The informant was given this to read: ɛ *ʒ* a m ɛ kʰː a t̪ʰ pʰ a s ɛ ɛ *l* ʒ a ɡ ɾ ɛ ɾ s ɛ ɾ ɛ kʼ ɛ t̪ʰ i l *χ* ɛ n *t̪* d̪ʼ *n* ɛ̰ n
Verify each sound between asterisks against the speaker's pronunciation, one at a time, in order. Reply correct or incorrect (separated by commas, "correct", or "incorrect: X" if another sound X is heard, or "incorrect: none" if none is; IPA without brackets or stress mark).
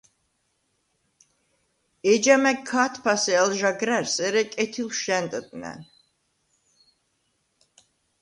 incorrect: d͡ʒ, correct, incorrect: ʃ, incorrect: t̪ʼ, correct